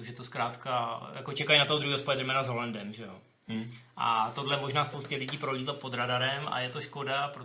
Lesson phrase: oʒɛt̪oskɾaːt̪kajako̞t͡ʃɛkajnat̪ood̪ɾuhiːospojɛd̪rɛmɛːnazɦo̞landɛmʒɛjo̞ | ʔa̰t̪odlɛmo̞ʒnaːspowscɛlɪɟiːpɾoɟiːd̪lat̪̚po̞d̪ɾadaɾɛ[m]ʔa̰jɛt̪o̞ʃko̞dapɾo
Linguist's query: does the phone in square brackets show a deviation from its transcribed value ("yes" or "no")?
no